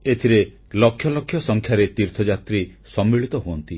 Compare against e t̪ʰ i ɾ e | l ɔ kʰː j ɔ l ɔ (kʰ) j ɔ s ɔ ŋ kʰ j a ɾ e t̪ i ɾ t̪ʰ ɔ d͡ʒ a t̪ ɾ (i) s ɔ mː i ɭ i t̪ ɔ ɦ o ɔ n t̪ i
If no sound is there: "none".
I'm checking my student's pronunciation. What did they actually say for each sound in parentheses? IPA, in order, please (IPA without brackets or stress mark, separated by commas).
kʰ, i